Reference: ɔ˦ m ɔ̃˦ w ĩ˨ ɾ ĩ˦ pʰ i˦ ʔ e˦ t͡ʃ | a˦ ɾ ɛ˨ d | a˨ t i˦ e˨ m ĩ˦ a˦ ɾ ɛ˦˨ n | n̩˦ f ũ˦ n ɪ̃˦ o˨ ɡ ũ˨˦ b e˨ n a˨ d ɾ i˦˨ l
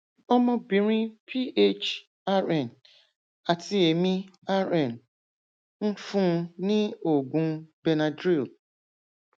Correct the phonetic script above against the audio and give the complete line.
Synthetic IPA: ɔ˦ m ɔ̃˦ b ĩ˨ ɾ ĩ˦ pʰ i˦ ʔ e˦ t͡ʃ | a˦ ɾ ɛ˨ n | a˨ t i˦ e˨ m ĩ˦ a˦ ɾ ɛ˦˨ n | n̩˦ f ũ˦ n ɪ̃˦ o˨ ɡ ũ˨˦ b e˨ n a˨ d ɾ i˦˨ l